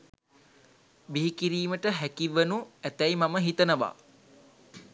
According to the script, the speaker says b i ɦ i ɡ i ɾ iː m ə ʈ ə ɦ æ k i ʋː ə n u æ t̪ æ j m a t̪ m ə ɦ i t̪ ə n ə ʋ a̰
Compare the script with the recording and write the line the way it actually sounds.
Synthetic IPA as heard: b i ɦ i k i ɾ iː m ə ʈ ə ɦ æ k i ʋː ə n u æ t̪ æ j m a m ə ɦ i t̪ ə n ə ʋ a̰